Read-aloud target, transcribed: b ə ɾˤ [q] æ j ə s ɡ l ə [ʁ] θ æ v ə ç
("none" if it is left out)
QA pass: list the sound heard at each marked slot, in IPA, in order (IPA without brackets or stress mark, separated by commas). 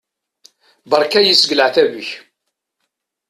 k, ʕ